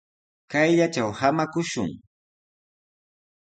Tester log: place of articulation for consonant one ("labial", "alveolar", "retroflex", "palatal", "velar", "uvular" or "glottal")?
velar